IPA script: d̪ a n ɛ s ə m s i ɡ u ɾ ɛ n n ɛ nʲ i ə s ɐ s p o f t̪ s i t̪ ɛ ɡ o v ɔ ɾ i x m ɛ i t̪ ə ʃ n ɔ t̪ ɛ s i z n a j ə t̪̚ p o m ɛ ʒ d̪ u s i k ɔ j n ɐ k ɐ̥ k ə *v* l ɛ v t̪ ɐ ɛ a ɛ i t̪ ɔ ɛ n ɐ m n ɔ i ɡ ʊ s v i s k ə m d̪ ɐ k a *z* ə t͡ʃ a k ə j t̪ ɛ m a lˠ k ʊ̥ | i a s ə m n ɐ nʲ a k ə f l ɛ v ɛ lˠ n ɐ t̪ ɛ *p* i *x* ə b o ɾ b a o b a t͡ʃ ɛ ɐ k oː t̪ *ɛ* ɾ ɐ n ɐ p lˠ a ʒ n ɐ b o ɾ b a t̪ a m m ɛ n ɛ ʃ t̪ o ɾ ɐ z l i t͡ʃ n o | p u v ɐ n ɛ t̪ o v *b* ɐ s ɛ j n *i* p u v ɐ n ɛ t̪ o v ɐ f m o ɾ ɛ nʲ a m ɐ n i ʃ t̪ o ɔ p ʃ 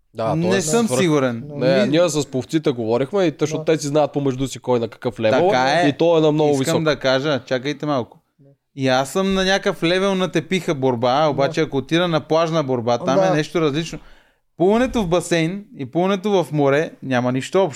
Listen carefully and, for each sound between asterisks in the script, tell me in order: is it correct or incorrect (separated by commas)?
incorrect, incorrect, correct, correct, incorrect, correct, correct